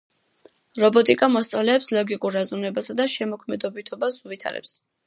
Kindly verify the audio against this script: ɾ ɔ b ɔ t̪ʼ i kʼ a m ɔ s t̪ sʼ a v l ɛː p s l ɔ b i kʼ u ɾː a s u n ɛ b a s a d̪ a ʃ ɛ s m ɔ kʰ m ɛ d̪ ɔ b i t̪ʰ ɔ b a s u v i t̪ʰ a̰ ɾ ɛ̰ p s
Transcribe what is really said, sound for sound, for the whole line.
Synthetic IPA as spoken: ɾ ɔ b ɔ t̪ʼ i kʼ a m ɔ s t̪ sʼ a v l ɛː p s l ɔ ɡ i kʼ u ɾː a z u n ɛ b a s a d̪ a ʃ ɛ m ɔ kʰ m ɛ d̪ ɔ b i t̪ʰ ɔ b a s u v i t̪ʰ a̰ ɾ ɛ̰ p s

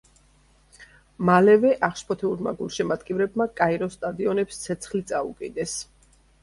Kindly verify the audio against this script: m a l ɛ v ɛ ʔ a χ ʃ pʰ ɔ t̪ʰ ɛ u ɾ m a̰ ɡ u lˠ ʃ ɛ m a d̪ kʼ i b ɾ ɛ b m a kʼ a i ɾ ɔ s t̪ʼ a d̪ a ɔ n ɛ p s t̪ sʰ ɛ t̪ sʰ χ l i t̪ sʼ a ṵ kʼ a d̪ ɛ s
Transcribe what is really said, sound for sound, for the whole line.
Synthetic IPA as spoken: m a l ɛ v ɛ ʔ a χ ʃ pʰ ɔ t̪ʰ ɛ u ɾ m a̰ ɡ u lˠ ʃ ɛ m a d̪ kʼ i v ɾ ɛ b m a kʼ a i ɾ ɔ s t̪ʼ a d̪ i ɔ n ɛ p s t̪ sʰ ɛ t̪ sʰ χ l i t̪ sʼ a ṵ kʼ i d̪ ɛ s

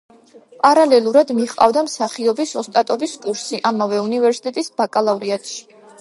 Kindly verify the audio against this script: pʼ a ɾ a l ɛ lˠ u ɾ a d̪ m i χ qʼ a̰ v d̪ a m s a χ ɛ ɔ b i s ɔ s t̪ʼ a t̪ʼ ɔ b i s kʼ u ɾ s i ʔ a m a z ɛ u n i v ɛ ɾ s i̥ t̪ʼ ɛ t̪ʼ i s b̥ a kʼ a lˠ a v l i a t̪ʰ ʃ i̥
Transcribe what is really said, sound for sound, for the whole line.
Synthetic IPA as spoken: pʼ a ɾ a l ɛ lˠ u ɾ a d̪ m i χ qʼ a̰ v d̪ a m s a χ i ɔ b i s ɔ s t̪ʼ a t̪ʼ ɔ b i s kʼ u ɾ s i ʔ a m a v ɛ u n i v ɛ ɾ s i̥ t̪ʼ ɛ t̪ʼ i s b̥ a kʼ a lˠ a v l i a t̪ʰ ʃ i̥

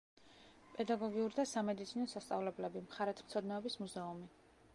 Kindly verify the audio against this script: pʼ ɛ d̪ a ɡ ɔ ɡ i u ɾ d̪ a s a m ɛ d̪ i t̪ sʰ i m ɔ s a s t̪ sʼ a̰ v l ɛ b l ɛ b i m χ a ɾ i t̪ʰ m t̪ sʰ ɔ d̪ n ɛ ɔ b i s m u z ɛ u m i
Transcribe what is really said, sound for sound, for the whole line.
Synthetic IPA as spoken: pʼ ɛ d̪ a ɡ ɔ ɡ i u ɾ d̪ a s a m ɛ d̪ i t̪ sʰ i n ɔ s a s t̪ sʼ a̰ v l ɛ b l ɛ b i m χ a ɾ ɛ t̪ʰ m t̪ sʰ ɔ d̪ n ɛ ɔ b i s m u z ɛ u m i

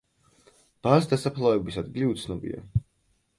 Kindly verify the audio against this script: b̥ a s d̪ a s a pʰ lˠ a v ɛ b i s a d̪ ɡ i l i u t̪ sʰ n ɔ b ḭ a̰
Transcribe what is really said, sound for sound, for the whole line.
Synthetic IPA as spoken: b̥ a s d̪ a s a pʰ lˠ a v ɛ b i s a d̪ ɡ i l i u t̪ sʰ n ɔ b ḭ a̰

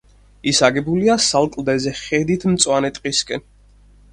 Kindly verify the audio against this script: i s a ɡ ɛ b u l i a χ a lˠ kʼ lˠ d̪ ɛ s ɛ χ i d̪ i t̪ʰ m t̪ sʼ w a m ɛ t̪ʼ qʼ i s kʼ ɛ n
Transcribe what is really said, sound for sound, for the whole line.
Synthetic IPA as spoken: i s a ɡ ɛ b u l i a s a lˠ kʼ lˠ d̪ ɛ z ɛ χ ɛ d̪ i t̪ʰ m t̪ sʼ w a n ɛ t̪ʼ qʼ i s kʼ ɛ n

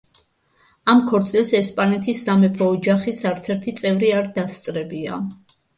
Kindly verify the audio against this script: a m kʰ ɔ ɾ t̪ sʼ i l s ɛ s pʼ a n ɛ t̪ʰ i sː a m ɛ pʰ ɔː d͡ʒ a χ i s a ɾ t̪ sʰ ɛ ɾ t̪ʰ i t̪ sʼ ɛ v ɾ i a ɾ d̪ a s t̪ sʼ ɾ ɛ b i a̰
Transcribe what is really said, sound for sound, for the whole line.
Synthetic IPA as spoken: a m kʰ ɔ ɾ t̪ sʼ i l s ɛ s pʼ a n ɛ t̪ʰ i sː a m ɛ pʰ ɔː d͡ʒ a χ i s a ɾ t̪ sʰ ɛ ɾ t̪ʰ i t̪ sʼ ɛ v ɾ i a ɾ d̪ a s t̪ sʼ ɾ ɛ b i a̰

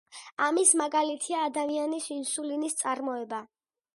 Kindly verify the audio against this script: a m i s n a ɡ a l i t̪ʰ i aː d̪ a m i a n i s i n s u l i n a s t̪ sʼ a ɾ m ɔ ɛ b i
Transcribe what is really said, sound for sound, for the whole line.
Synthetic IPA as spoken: a m i s m a ɡ a l i t̪ʰ i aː d̪ a m i a n i s i n s u l i n i s t̪ sʼ a ɾ m ɔ ɛ b a

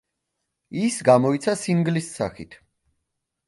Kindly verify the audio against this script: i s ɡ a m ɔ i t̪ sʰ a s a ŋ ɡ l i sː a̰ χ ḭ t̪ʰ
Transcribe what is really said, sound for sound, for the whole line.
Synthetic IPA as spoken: i s ɡ a m ɔ i t̪ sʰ a s i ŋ ɡ l i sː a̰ χ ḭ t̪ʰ

